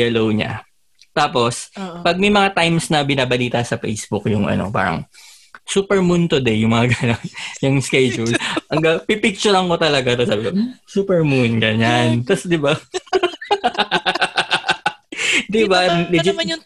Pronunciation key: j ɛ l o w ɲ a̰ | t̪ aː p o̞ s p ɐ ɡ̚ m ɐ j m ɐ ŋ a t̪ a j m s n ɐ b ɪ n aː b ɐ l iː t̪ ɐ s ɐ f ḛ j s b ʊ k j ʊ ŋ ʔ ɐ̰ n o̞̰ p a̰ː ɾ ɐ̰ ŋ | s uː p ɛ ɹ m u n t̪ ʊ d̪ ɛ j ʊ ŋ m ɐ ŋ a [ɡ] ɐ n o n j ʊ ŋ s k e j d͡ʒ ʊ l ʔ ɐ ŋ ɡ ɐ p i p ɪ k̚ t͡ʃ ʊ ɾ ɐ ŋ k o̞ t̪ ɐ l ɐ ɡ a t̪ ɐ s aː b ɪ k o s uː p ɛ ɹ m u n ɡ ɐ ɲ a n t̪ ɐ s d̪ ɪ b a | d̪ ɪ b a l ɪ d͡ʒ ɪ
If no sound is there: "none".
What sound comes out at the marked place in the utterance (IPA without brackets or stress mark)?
ɡ